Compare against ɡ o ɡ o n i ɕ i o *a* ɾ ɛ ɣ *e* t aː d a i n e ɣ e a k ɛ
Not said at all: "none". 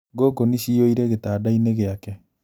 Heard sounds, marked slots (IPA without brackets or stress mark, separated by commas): i, e